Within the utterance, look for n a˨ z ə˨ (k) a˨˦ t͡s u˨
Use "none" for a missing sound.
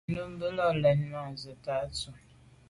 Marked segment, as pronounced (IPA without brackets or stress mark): t